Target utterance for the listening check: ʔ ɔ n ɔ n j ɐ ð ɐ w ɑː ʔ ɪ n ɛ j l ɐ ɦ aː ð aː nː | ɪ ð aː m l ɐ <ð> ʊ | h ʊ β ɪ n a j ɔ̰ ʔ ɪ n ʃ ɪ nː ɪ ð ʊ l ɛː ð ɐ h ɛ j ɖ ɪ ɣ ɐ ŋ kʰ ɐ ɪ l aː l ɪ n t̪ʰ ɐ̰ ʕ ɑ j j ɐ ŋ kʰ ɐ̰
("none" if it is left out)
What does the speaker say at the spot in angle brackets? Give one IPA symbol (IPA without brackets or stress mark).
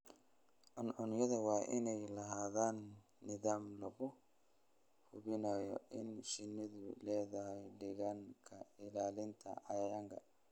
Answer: ɣ